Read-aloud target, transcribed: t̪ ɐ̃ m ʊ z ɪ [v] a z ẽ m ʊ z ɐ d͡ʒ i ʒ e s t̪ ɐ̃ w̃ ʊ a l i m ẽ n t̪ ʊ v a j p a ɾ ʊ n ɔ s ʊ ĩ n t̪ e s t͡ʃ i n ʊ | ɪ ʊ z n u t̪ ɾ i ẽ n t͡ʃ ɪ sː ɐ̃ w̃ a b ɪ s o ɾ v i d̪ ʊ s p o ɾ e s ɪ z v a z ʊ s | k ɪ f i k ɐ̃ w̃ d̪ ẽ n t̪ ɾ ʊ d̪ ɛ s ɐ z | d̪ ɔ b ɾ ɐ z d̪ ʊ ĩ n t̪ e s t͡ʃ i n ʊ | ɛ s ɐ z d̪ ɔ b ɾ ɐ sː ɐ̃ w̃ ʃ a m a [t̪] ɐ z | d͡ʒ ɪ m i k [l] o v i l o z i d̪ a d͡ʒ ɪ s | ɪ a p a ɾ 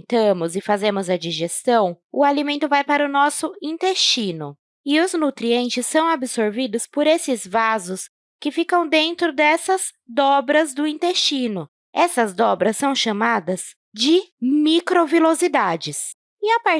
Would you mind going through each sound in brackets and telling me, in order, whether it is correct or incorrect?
incorrect, incorrect, incorrect

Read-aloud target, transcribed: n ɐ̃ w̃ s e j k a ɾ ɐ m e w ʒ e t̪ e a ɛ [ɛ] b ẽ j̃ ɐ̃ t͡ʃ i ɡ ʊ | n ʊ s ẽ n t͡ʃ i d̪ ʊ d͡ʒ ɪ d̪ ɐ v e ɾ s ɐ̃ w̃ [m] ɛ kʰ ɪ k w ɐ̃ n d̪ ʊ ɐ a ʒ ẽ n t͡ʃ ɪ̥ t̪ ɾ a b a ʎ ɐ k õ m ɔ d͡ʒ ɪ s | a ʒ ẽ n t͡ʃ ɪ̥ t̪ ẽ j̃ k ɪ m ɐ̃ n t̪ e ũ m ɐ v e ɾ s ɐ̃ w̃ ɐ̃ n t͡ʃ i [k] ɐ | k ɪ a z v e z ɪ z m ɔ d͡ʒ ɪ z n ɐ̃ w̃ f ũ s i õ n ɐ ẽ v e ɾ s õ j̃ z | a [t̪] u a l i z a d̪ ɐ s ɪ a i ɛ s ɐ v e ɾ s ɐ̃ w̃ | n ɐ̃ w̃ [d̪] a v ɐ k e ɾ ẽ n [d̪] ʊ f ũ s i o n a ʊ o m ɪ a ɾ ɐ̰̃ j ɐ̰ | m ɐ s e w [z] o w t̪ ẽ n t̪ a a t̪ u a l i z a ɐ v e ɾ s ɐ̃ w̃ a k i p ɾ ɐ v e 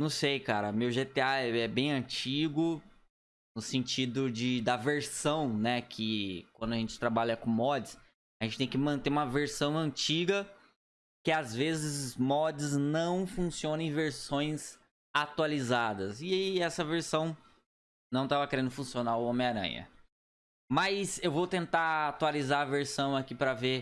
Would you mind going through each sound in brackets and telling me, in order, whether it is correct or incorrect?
correct, incorrect, incorrect, correct, incorrect, correct, incorrect

